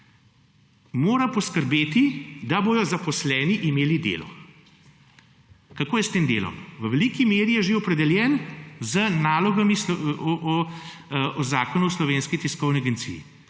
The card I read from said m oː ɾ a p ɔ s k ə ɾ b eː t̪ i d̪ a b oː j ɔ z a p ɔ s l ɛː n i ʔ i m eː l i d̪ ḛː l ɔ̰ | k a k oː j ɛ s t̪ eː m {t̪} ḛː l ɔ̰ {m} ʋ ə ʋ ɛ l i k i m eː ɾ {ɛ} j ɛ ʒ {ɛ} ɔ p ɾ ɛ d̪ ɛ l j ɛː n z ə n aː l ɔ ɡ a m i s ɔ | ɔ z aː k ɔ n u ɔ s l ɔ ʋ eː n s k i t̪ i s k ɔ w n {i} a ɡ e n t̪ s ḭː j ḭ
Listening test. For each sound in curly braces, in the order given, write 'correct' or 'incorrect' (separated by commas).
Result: incorrect, correct, incorrect, incorrect, correct